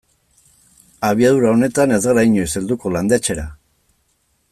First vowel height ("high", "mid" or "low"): low